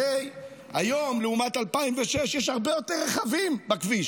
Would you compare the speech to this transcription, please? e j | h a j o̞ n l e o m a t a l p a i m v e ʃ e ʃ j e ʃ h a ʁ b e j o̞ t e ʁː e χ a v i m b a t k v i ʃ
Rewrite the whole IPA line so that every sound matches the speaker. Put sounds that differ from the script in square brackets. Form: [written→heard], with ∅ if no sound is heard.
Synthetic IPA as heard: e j | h a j o̞ [n→m] l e [o→u] m a t a l p a i m v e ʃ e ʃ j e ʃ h a ʁ b e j o̞ t e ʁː e χ a v i m b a [t→∅] k v i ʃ